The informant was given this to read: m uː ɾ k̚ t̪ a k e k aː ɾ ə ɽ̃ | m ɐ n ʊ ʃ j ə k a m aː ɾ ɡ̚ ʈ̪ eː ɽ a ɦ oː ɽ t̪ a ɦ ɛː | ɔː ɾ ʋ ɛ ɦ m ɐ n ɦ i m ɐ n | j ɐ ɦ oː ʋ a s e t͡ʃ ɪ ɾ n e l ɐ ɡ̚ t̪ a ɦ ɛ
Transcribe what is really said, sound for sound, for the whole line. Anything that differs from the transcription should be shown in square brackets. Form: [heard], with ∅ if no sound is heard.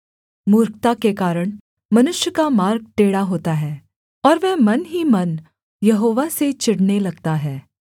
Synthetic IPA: m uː ɾ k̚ t̪ a k e k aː ɾ ə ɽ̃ | m ɐ n ʊ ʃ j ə k a m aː ɾ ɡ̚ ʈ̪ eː ɽ a ɦ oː [∅] t̪ a ɦ ɛː | ɔː ɾ ʋ ɛ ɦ m ɐ n ɦ i m ɐ n | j ɐ ɦ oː ʋ a s e t͡ʃ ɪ [ɽ] n e l ɐ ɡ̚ t̪ a ɦ [ɛː]